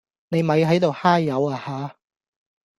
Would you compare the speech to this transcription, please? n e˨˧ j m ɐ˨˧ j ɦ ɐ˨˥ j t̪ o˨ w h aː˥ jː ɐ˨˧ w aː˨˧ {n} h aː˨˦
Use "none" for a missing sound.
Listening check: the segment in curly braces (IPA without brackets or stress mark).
none